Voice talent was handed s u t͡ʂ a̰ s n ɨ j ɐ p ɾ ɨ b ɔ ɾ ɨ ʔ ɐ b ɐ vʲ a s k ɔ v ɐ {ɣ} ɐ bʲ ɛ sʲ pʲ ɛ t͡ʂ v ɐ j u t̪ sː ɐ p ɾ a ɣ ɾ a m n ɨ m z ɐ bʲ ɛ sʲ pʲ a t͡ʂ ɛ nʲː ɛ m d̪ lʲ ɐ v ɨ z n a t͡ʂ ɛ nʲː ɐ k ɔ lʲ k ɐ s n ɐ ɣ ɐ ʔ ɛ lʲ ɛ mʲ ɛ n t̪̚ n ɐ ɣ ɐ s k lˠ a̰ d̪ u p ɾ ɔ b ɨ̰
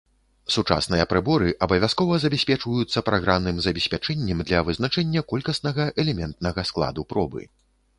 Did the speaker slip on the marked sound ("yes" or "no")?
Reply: yes